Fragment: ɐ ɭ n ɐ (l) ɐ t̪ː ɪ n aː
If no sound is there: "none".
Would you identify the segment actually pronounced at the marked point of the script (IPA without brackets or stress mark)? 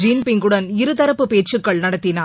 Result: ɽ